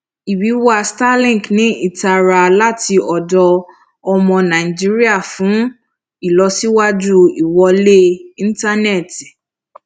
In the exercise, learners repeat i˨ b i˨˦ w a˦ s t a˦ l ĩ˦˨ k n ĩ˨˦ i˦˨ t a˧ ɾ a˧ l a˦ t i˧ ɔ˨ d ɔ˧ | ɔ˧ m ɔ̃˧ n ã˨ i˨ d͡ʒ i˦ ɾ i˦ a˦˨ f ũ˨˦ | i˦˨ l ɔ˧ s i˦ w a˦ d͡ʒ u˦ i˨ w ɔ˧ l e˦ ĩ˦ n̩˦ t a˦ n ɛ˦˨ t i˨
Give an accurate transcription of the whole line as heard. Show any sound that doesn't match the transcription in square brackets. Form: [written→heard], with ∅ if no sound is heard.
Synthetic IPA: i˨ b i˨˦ w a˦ s t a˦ l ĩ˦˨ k n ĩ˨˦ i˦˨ t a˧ ɾ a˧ l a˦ t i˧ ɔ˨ d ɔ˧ | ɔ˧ m ɔ̃˧ n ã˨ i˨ d͡ʒ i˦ ɾ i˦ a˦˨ f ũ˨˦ | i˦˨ l ɔ˧ s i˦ w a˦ d͡ʒ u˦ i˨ w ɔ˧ l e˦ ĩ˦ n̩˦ t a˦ n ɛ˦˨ t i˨